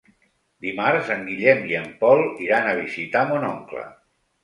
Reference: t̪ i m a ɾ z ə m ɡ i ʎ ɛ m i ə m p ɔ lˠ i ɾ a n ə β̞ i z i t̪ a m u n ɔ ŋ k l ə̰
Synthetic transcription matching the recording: d̪ i m a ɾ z ə ŋ ɡ i ʎ ɛ m i ə m p ɔ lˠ i ɾ a n ə β̞ i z i t̪ a m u n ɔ ŋ k l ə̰